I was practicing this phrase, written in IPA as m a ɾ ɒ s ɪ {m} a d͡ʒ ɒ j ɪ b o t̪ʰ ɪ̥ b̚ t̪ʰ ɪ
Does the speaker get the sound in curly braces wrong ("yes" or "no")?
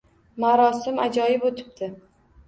no